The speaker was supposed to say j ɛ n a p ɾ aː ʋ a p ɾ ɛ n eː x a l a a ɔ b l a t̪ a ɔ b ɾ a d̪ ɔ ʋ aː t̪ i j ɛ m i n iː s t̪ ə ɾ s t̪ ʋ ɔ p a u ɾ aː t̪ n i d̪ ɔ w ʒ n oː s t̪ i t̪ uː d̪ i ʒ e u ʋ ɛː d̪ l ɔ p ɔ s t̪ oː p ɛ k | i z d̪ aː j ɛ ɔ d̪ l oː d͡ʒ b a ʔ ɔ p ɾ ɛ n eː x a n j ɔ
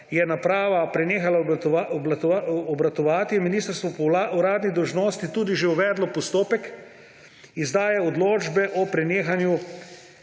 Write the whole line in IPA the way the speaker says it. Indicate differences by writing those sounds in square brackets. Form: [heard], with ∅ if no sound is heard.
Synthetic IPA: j ɛ n a p ɾ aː ʋ a p ɾ ɛ n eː x a l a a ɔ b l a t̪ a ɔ b ɾ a [t̪] ɔ ʋ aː t̪ i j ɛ m i n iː s t̪ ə ɾ s t̪ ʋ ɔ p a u ɾ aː [d̪] n i d̪ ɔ w ʒ n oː s t̪ i t̪ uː d̪ i ʒ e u ʋ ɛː d̪ l ɔ p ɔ s t̪ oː p ɛ k | i z d̪ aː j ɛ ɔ d̪ l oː d͡ʒ b [ɛ] ʔ ɔ p ɾ ɛ n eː x a n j [u]